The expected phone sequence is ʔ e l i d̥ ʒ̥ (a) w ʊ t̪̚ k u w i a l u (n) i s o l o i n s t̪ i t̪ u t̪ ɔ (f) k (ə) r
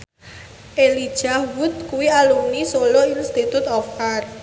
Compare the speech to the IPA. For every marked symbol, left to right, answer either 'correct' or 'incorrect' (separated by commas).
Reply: correct, correct, correct, incorrect